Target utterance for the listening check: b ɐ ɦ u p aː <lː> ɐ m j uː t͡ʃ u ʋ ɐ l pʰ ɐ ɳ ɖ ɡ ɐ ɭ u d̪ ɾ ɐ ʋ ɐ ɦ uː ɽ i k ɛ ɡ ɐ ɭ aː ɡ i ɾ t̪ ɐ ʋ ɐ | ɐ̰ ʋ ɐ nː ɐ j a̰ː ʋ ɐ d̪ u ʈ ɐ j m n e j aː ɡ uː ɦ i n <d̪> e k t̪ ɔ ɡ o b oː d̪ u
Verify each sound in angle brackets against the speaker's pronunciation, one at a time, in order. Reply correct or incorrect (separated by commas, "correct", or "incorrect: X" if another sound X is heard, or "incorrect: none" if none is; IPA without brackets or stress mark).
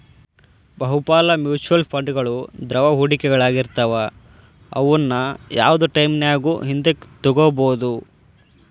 incorrect: l, correct